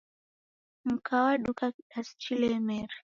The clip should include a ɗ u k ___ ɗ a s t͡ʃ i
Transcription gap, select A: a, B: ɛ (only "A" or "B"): A